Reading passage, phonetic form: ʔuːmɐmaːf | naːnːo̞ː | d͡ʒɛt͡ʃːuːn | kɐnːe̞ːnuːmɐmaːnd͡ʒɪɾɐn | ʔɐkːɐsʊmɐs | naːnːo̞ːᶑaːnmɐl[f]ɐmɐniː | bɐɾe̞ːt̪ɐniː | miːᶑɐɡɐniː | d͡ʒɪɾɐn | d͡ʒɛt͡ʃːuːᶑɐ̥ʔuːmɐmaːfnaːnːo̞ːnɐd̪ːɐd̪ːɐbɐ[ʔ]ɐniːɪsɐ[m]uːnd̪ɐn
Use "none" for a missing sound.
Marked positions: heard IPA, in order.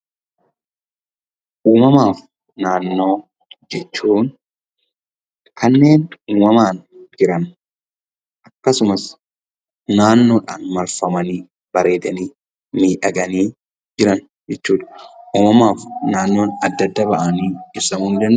f, ʔ, m

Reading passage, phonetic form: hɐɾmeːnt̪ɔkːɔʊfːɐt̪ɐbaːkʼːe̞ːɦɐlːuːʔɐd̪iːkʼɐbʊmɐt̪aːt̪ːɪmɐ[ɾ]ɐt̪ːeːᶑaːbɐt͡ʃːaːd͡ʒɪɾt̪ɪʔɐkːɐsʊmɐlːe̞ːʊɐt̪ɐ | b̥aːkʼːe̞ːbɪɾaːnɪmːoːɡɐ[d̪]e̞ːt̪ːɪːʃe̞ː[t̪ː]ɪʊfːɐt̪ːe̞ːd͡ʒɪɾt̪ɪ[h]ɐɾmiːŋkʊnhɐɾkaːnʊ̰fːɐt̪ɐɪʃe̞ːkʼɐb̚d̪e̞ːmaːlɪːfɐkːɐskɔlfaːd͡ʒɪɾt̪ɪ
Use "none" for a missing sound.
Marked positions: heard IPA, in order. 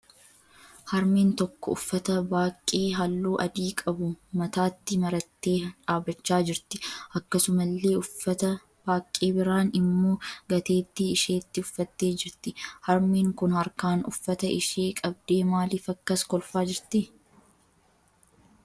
ɾ, t̪, t̪ː, h

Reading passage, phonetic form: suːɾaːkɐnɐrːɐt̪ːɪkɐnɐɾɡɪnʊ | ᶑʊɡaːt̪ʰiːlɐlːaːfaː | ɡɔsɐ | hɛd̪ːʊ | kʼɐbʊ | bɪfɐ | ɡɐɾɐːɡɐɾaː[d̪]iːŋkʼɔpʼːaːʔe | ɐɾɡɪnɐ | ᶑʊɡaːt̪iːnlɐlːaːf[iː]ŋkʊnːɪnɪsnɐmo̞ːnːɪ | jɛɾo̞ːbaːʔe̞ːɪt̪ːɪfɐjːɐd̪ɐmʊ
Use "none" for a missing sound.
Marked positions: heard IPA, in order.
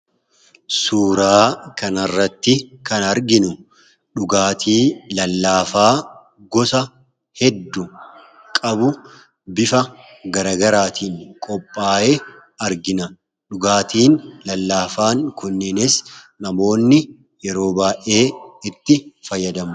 t̪, aː

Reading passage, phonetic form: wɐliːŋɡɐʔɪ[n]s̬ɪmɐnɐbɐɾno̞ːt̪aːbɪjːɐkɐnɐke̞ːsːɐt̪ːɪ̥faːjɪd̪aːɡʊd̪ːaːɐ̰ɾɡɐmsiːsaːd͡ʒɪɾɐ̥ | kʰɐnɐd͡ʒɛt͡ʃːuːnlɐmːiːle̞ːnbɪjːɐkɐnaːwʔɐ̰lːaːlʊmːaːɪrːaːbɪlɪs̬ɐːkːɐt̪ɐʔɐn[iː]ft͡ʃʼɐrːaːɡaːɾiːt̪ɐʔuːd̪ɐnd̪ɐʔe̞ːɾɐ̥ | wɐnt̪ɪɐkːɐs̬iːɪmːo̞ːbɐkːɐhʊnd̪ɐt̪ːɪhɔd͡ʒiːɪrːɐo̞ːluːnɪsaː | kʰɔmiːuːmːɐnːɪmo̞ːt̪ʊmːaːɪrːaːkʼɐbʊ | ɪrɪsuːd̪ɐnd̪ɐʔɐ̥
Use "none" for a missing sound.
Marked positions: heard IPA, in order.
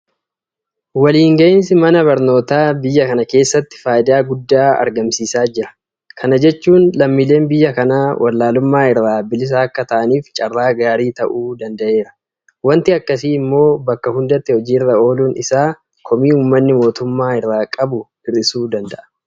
n, iː

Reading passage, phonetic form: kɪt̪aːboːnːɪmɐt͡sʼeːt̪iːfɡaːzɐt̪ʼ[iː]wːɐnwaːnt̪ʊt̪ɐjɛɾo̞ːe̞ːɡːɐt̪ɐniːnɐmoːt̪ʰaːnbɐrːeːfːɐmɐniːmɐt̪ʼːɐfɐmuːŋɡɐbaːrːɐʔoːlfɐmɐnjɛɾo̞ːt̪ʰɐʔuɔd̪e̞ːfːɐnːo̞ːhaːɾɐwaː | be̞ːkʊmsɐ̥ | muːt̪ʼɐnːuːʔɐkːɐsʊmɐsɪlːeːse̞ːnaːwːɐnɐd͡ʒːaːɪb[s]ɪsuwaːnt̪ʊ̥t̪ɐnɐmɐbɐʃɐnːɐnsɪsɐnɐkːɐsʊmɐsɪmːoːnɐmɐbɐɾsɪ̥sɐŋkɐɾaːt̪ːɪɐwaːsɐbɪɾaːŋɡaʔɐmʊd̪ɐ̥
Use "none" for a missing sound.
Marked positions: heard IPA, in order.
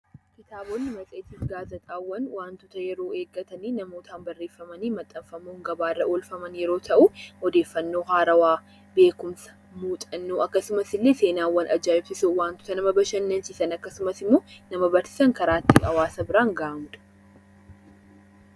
aː, s

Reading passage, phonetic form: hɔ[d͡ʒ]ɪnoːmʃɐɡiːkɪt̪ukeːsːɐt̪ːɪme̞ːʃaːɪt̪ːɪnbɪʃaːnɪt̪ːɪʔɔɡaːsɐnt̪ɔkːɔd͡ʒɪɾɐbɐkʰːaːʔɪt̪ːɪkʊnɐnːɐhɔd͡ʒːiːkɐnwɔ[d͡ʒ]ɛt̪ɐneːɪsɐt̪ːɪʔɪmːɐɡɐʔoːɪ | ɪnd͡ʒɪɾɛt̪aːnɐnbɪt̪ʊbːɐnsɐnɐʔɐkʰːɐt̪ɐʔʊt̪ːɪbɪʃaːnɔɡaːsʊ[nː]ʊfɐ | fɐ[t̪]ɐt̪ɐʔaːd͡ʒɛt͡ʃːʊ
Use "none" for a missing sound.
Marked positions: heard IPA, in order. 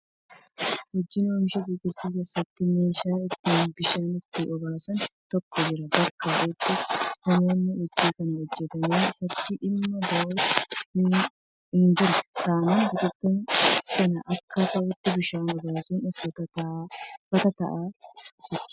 d͡ʒː, d͡ʒː, n, t̪

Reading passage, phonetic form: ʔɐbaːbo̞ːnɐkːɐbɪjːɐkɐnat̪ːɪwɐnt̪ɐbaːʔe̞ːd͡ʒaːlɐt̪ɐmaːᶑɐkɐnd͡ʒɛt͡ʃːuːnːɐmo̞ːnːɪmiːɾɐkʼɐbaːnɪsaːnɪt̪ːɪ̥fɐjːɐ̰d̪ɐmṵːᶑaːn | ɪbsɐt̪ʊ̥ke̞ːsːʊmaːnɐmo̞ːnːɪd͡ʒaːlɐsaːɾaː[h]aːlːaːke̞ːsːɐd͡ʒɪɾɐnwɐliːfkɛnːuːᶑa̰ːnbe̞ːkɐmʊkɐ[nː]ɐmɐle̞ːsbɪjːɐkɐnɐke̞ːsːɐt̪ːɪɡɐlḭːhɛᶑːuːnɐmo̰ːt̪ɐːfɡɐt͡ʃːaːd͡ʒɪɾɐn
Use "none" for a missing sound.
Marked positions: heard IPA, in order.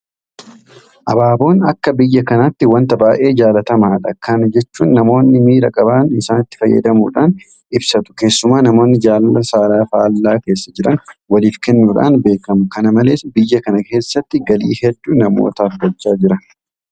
f, n

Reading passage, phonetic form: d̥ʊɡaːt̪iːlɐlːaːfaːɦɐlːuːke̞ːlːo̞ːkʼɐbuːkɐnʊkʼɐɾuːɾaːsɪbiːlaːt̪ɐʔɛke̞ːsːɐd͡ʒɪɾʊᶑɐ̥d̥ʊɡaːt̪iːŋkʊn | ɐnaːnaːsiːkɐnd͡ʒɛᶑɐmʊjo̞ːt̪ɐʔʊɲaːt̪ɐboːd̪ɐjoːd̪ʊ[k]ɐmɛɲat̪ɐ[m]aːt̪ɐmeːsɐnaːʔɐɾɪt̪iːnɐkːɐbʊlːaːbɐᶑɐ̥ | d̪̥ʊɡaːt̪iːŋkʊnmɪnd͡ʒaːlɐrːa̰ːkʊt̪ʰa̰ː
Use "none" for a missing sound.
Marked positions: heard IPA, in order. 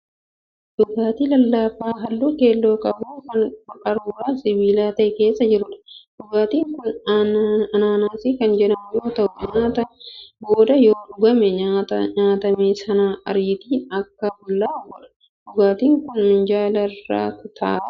ɡ, ɲ

